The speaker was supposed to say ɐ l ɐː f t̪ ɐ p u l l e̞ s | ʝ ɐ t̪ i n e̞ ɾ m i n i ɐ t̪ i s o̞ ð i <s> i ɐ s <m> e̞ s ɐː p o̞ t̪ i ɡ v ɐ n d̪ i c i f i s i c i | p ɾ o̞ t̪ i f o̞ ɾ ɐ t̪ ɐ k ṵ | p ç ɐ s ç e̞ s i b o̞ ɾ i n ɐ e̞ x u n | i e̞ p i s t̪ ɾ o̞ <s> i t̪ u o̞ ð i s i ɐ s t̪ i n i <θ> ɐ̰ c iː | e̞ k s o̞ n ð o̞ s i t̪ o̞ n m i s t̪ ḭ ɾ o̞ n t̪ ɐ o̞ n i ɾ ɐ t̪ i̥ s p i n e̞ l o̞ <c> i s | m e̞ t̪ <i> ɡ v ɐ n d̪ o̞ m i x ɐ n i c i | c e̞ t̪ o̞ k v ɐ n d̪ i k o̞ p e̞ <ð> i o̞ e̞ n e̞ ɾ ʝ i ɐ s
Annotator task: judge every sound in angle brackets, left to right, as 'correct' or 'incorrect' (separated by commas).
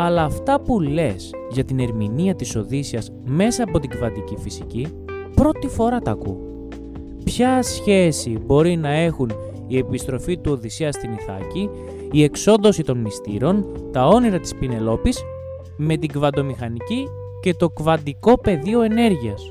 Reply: correct, correct, incorrect, correct, incorrect, correct, correct